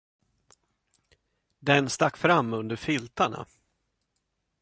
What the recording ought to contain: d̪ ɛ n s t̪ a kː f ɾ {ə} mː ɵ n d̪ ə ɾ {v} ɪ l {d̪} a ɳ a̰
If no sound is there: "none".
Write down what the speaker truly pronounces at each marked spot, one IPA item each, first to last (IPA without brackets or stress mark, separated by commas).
a, f, t̪